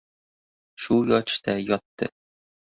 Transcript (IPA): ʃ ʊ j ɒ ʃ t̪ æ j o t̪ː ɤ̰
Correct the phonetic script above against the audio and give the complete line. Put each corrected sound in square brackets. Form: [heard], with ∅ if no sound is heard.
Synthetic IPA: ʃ [u] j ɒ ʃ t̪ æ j [ɒ] t̪ː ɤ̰